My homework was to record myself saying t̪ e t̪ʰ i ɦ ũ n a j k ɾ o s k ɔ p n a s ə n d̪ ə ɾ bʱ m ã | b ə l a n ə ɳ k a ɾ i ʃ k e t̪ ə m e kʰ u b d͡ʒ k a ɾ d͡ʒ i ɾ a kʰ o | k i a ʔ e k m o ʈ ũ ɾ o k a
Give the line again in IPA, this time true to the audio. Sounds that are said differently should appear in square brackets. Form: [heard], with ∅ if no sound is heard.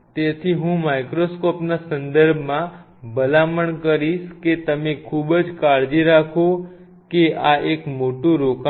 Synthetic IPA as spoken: t̪ e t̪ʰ i ɦ ũ [m] a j k ɾ o s k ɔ p n a s ə n d̪ ə ɾ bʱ m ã | b ə l a [m] ə ɳ k [ə] ɾ i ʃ k e t̪ ə m e kʰ u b d͡ʒ k a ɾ d͡ʒ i ɾ a kʰ o | k [e] a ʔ e k m o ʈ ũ ɾ o k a